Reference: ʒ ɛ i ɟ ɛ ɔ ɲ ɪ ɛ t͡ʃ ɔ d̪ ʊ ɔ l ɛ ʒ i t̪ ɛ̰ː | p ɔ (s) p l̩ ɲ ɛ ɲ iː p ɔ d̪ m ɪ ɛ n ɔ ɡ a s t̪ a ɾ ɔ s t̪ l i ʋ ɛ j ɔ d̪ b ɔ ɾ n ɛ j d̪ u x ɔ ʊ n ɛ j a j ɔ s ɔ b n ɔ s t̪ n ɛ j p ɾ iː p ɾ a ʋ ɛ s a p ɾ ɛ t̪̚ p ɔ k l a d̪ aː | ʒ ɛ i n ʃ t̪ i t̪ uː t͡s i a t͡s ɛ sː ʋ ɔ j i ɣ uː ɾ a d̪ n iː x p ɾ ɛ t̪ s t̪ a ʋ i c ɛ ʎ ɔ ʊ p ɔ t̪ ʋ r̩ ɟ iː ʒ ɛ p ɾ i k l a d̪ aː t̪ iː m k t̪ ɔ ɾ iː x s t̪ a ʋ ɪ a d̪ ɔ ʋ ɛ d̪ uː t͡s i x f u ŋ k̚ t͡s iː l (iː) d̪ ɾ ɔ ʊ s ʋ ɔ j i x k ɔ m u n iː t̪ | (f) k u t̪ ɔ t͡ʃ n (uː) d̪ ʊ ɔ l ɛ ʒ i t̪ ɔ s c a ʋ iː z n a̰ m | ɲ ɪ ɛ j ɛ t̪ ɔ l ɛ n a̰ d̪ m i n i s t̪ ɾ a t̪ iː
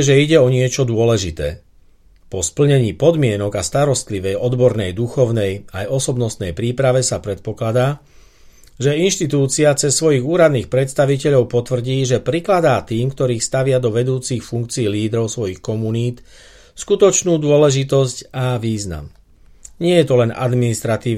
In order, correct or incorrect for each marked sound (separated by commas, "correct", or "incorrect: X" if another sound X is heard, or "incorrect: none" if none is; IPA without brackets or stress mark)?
correct, correct, incorrect: s, correct